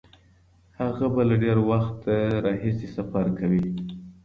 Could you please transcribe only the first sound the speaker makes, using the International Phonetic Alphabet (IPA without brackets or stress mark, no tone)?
h